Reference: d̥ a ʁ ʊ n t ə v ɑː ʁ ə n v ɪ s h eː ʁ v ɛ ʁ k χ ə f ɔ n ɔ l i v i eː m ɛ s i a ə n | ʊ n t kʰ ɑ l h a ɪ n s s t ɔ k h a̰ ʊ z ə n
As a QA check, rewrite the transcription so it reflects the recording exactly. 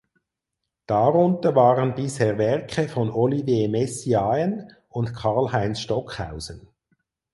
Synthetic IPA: d̥ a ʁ ʊ n t ə v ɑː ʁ ə n b ɪ s h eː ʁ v ɛ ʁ k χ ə f ɔ n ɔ l i v j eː m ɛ s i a ə n | ʊ n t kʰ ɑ l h a ɪ n s ʃ t ɔ k h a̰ ʊ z ə n